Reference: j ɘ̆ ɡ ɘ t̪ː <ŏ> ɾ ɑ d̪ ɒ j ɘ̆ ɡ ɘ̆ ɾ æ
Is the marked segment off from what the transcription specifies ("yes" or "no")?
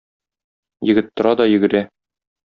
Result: no